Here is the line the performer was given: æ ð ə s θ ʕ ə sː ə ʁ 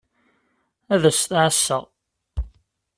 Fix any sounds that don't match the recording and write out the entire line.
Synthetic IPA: æ ð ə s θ ʕ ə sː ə ʁ